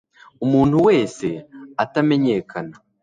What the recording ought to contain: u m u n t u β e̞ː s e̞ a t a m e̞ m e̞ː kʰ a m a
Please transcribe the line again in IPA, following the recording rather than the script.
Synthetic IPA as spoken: u m uː n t u w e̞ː s e̞ a t a m e̞ ɲ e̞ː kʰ a n a